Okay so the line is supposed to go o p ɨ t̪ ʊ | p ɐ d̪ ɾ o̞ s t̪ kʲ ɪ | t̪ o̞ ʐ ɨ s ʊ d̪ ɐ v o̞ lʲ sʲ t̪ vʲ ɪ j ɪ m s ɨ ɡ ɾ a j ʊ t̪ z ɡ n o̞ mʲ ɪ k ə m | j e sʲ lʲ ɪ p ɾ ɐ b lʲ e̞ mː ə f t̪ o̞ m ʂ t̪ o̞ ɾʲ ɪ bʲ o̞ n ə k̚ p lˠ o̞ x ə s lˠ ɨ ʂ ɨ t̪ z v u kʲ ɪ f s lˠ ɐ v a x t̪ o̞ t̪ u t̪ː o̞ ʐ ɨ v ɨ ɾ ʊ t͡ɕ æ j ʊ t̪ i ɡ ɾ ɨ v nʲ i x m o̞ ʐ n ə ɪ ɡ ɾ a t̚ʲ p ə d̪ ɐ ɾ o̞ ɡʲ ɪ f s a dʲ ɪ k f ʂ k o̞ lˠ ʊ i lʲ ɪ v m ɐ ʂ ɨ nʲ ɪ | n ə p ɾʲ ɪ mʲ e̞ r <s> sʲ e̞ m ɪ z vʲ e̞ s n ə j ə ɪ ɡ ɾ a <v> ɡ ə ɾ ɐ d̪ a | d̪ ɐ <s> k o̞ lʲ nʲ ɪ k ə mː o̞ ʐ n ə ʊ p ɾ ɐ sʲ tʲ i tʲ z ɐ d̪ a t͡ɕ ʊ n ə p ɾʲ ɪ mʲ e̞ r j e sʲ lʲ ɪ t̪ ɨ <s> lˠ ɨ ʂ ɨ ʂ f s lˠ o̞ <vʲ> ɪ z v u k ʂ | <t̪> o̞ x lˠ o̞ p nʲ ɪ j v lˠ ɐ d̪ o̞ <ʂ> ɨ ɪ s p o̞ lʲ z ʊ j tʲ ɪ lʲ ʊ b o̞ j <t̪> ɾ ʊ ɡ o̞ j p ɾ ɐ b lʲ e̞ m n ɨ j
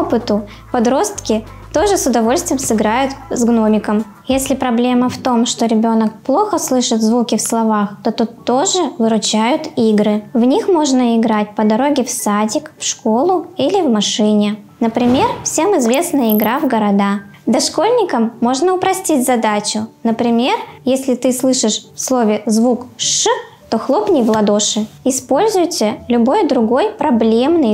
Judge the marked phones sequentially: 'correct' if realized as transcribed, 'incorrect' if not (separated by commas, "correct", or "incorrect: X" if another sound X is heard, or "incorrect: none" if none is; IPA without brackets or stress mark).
incorrect: f, correct, incorrect: ʂ, correct, correct, correct, correct, incorrect: d̪